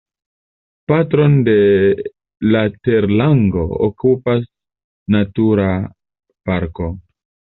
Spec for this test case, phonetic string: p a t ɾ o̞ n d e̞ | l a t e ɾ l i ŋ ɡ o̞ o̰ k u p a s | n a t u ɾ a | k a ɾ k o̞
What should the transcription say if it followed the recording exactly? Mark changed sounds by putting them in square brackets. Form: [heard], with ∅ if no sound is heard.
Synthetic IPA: p a t ɾ o̞ n d e̞ | l a t e ɾ l [a] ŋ ɡ o̞ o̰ k u p a s | n a t u ɾ a | [p] a ɾ k o̞

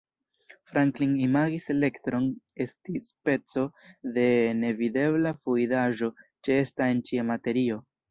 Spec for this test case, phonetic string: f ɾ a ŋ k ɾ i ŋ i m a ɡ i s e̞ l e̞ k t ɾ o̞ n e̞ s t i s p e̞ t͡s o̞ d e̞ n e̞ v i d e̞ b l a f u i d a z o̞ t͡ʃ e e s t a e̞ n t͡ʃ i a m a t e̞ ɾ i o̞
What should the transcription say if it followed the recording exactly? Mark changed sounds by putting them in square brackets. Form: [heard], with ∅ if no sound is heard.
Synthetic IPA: f ɾ a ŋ k [l] i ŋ i m a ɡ i s e̞ l e̞ k t ɾ o̞ n e̞ s t i s p e̞ t͡s o̞ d e̞ n e̞ v i d e̞ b l a f u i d a [ʒ] o̞ t͡ʃ e e s t a e̞ n t͡ʃ i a m a t e̞ ɾ i o̞

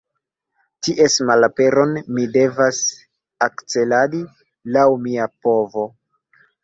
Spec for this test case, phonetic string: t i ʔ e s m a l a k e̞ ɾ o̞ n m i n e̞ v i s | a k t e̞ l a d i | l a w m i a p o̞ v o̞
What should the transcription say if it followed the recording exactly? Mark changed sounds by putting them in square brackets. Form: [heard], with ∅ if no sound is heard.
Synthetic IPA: t i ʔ e s m a l a [p] e̞ ɾ o̞ n m i [d] e̞ v [a] s | a k [t͡s] e̞ l a d i | l a w m i a p o̞ v o̞

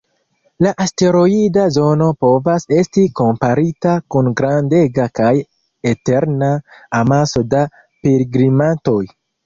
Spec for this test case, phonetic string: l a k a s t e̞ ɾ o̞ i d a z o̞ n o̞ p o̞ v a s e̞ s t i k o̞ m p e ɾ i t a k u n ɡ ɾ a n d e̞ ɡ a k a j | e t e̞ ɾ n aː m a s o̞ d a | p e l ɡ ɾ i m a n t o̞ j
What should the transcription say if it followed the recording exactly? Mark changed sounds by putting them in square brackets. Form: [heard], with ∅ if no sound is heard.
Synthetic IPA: l a [ʔ] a s t e̞ ɾ o̞ i d a z o̞ n o̞ p o̞ v a s e̞ s t i k o̞ m p [a] ɾ i t a k u n ɡ ɾ a n d e̞ ɡ a k a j | e t e̞ ɾ n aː m a s o̞ d a | p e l ɡ ɾ i m a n t o̞ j

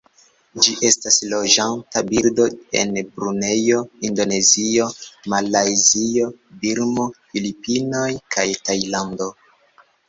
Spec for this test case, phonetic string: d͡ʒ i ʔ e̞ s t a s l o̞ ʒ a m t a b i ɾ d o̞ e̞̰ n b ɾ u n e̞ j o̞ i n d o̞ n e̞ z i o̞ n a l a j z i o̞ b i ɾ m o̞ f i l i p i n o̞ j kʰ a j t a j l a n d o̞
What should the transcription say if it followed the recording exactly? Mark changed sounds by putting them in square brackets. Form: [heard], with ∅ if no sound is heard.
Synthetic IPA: d͡ʒ i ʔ e̞ s t a s l o̞ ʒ a [n] t a b i ɾ d o̞ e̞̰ n b ɾ u n e̞ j o̞ i n d o̞ n e̞ z i o̞ [m] a l a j z i o̞ b i ɾ m o̞ f i l i p i n o̞ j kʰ a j t a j l a n d o̞

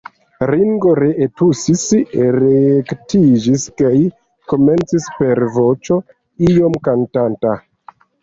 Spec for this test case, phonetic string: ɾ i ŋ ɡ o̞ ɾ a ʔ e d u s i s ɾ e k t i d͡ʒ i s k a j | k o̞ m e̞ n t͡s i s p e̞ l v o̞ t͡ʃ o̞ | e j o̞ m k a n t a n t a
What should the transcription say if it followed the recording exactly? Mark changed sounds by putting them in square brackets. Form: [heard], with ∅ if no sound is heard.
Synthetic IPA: ɾ i ŋ ɡ o̞ ɾ [e] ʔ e [t] u s i s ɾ e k t i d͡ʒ i s k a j | k o̞ m e̞ n t͡s i s p e̞ [ɾ] v o̞ t͡ʃ o̞ | [i] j o̞ m k a n t a n t a

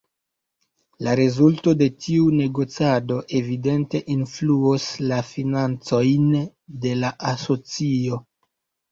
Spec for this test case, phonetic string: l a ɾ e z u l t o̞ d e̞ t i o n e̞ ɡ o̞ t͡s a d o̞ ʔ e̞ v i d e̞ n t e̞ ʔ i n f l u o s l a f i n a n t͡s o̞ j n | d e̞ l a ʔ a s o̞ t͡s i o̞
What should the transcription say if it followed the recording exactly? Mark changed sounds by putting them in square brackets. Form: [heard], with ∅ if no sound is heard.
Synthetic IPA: l a ɾ e z u l t o̞ d e̞ t i [u] n e̞ ɡ o̞ t͡s a d o̞ ʔ e̞ v i d e̞ n t e̞ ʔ i n f l u o s l a f i n a n t͡s o̞ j n | d e̞ l a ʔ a s o̞ t͡s i o̞

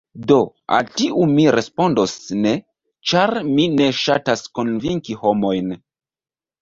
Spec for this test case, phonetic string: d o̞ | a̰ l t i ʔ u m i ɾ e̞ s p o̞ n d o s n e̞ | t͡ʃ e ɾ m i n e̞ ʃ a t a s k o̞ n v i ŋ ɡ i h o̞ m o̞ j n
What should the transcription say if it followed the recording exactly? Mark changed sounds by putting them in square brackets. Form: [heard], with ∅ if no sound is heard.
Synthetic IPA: d o̞ | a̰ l t i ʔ u m i ɾ e̞ s p o̞ n d o s n e̞ | t͡ʃ [a] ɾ m i n e̞ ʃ a t a s k o̞ n v i ŋ [k] i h o̞ m o̞ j n

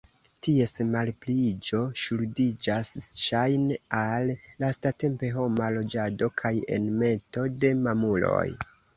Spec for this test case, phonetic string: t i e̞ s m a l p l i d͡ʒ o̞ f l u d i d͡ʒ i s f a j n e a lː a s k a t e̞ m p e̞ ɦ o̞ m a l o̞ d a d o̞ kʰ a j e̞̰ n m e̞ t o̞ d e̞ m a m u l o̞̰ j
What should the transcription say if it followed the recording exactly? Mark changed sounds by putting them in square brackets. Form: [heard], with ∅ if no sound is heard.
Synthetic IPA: t i e̞ s m a l p l i d͡ʒ o̞ [ʃ] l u d i d͡ʒ [a] s [ʃ] a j n e a lː a s [t] a t e̞ m p e̞ ɦ o̞ m a l o̞ [d͡ʒ] a d o̞ kʰ a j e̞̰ n m e̞ t o̞ d e̞ m a m u l o̞̰ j

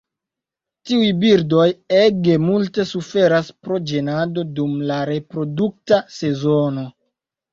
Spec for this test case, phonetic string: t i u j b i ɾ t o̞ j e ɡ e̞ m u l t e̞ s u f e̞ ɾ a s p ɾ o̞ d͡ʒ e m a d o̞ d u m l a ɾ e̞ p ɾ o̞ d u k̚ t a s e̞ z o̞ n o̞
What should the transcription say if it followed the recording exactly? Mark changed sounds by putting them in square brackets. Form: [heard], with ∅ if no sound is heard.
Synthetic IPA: t i u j b i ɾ [d] o̞ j e ɡ e̞ m u l t e̞ s u f e̞ ɾ a s p ɾ o̞ d͡ʒ e [n] a d o̞ d u m l a ɾ e̞ p ɾ o̞ d u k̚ t a s e̞ z o̞ n o̞

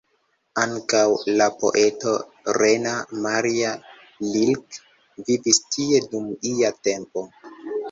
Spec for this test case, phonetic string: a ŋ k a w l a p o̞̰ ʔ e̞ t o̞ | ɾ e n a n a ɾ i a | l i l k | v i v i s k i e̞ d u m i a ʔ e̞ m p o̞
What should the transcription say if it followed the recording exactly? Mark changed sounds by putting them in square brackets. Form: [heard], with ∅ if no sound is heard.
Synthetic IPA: a ŋ k a w l a p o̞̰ ʔ e̞ t o̞ | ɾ e n a [m] a ɾ i a | l i l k | v i v i s [t] i e̞ d u m i a [t] e̞ m p o̞

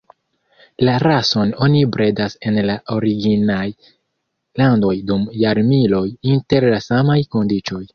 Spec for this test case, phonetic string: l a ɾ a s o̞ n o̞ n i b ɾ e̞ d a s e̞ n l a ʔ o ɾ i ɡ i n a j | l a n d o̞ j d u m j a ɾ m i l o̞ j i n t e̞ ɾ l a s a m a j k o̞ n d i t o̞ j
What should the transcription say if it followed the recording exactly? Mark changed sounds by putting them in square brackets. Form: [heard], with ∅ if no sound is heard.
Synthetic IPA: l a ɾ a s o̞ n o̞ n i b ɾ e̞ d a s e̞ n l a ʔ o ɾ i ɡ i n a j | l a n d o̞ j d u m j a ɾ m i l o̞ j i n t e̞ ɾ l a s a m a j k o̞ n d i [t͡ʃ] o̞ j

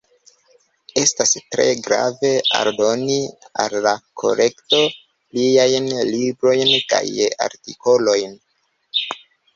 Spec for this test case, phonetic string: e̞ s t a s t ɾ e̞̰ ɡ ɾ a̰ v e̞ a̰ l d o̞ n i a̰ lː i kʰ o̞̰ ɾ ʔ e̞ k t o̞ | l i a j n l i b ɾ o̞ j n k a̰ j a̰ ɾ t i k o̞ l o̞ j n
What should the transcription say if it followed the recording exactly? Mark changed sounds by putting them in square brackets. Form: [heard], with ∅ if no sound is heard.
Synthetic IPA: e̞ s t a s t ɾ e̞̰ ɡ ɾ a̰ v e̞ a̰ [ɾ] d o̞ n i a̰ lː [a] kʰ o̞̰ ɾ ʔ e̞ k t o̞ | l i a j n l i b ɾ o̞ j n k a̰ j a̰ ɾ t i k o̞ l o̞ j n

